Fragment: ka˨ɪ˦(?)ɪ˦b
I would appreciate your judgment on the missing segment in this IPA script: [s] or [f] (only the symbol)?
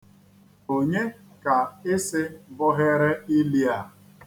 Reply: s